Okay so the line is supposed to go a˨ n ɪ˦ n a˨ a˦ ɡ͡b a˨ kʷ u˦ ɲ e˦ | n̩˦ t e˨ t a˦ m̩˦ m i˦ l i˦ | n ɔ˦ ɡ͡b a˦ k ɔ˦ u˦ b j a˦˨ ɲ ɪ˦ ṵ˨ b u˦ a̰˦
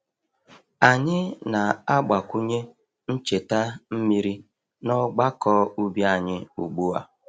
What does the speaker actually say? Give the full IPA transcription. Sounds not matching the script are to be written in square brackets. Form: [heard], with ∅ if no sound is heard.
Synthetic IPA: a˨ [ɲ] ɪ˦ n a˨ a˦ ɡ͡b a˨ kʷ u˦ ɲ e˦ | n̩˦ [t͡ʃ] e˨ t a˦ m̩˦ m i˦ [ɾ] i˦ | n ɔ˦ ɡ͡b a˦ k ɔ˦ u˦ b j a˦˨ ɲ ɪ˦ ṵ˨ [ɡ͡b] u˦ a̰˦

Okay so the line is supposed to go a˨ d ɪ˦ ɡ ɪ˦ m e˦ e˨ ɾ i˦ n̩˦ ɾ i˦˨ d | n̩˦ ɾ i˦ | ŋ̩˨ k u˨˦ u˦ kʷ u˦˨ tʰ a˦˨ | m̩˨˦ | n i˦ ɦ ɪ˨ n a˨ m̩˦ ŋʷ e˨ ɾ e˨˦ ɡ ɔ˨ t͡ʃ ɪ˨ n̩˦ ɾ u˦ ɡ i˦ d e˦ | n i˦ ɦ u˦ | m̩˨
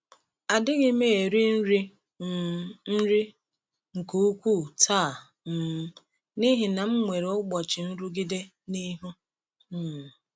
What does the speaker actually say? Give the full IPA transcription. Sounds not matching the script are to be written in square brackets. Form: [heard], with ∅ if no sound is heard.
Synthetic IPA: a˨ d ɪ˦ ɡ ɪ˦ m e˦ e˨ ɾ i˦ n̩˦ ɾ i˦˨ [∅] | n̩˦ ɾ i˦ | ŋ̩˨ k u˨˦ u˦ kʷ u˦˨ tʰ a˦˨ | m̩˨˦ | n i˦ ɦ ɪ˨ n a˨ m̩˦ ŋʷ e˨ ɾ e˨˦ [ɡ͡b] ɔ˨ t͡ʃ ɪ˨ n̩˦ ɾ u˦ ɡ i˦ d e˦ | n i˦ ɦ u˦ | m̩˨

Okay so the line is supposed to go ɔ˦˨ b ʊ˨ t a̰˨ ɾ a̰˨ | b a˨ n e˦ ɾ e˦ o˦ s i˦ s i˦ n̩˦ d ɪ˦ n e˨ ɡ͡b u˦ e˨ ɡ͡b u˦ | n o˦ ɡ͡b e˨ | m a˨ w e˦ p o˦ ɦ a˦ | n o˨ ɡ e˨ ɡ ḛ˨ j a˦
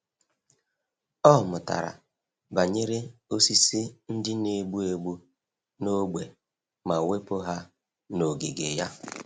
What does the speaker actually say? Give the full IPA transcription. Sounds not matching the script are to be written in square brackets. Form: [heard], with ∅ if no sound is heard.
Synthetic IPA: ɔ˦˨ [m] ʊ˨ t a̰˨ ɾ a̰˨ | b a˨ [ɲ] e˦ ɾ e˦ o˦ s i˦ s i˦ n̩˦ d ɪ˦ n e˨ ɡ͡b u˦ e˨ ɡ͡b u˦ | n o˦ ɡ͡b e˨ | m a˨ w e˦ p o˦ ɦ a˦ | n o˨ ɡ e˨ ɡ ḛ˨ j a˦

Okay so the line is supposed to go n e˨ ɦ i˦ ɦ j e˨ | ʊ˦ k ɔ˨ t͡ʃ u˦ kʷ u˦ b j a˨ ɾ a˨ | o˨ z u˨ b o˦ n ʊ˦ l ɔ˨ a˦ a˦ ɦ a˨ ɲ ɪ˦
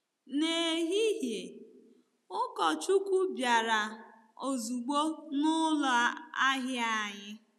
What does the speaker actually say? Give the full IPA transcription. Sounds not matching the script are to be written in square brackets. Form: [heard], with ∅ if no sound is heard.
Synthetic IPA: n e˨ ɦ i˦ ɦ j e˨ | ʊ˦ k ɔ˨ t͡ʃ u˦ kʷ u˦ b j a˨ ɾ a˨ | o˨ z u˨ [ɡ͡b] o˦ n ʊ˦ l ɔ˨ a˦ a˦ ɦ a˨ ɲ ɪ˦

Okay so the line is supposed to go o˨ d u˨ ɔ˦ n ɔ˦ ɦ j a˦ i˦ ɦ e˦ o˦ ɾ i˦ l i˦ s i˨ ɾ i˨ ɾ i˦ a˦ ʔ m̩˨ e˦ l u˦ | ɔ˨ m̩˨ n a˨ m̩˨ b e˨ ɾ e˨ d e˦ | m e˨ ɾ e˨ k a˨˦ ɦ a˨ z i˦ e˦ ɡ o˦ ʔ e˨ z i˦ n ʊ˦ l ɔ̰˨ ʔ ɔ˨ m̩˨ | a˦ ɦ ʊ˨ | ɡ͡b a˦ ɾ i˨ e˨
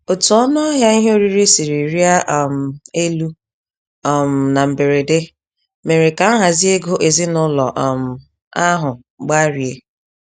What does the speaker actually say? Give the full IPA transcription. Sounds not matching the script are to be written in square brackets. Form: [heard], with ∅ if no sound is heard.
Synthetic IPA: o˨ [t] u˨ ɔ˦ n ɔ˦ ɦ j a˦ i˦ ɦ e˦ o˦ ɾ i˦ [ɾ] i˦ s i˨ ɾ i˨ ɾ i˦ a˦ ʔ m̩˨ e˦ l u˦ | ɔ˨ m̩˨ n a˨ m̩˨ b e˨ ɾ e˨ d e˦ | m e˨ ɾ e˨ k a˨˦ ɦ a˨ z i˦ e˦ ɡ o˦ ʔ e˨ z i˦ n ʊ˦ l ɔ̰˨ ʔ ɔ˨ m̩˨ | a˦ ɦ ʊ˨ | ɡ͡b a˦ ɾ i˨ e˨

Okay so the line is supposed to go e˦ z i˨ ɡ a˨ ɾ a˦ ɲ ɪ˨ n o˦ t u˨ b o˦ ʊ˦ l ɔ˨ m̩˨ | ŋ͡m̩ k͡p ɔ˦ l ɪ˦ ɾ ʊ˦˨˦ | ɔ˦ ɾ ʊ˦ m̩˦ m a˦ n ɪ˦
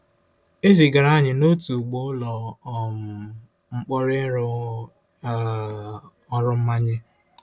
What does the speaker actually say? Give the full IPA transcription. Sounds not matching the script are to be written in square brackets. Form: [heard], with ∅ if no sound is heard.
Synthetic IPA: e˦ z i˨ ɡ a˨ ɾ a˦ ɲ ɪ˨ n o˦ t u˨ [ɡ͡b] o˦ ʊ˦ l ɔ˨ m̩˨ | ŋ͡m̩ k͡p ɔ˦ [ɾ] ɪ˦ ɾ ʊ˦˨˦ | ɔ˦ ɾ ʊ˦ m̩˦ m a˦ [ɲ] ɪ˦

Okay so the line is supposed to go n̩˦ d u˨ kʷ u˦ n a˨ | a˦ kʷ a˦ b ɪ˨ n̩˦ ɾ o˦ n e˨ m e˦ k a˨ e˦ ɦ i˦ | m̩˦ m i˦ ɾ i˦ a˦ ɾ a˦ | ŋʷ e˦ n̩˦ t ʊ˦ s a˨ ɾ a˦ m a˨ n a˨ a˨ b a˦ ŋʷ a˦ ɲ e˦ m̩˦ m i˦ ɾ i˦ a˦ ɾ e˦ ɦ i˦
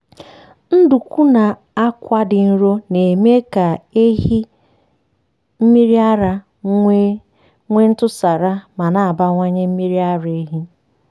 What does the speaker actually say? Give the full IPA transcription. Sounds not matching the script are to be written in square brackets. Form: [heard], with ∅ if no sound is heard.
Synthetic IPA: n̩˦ d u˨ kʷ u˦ n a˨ | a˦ kʷ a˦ [d] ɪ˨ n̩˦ ɾ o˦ n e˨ m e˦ k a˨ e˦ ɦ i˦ | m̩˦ m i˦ ɾ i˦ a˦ ɾ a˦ | ŋʷ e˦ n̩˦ t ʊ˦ s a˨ ɾ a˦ m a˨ n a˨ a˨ b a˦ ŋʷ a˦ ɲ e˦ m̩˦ m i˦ ɾ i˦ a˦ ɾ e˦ ɦ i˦

